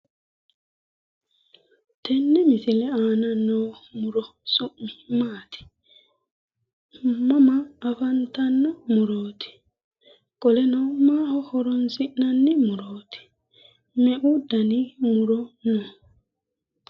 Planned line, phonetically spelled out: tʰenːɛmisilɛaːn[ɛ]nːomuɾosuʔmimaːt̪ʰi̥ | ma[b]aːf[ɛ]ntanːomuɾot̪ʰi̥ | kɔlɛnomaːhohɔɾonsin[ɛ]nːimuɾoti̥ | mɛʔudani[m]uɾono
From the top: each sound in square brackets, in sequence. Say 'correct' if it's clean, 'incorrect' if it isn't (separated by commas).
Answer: incorrect, incorrect, incorrect, incorrect, correct